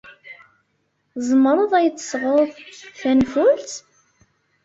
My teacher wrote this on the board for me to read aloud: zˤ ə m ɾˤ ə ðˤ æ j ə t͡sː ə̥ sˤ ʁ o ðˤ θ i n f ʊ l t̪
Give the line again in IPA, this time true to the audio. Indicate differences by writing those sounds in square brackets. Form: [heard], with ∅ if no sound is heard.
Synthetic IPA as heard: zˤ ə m ɾˤ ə ðˤ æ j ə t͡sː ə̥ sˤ ʁ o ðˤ θ [æ] n f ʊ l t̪